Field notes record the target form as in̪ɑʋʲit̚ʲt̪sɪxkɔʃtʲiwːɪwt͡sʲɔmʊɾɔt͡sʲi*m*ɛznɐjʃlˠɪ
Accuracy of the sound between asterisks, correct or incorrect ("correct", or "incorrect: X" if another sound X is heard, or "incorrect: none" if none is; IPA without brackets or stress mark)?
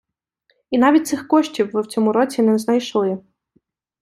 incorrect: n